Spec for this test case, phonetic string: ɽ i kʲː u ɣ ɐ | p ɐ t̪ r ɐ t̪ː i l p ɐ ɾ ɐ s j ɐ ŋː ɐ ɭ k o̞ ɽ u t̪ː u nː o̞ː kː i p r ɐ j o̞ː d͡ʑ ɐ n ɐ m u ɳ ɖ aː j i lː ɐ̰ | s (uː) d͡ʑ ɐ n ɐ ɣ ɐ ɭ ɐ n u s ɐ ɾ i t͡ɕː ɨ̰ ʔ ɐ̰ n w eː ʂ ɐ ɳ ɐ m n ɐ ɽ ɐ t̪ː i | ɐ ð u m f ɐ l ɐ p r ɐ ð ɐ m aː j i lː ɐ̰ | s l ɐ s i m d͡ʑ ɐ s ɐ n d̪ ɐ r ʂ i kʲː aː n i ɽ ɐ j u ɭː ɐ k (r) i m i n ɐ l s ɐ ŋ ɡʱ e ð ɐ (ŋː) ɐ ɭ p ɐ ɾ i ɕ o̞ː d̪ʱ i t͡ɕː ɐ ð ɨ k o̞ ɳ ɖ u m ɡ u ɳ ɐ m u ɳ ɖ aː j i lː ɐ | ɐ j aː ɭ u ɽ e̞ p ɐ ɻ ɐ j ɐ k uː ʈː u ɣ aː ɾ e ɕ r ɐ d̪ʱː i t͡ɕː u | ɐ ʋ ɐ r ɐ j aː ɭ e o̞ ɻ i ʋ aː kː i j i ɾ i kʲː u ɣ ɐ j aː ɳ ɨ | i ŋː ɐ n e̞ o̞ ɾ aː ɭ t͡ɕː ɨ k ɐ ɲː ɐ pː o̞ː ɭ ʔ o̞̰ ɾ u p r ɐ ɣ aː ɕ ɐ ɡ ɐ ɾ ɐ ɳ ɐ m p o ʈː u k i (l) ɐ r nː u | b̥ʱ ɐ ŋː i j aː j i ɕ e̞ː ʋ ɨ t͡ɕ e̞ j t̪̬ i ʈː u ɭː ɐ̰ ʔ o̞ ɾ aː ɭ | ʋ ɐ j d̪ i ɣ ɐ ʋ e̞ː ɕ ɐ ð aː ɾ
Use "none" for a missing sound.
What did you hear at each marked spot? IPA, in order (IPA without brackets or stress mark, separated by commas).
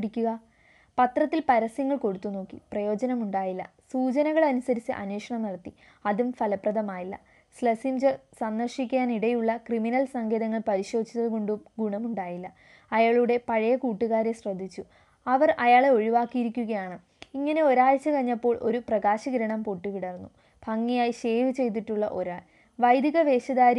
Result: uː, r, ŋː, ɽ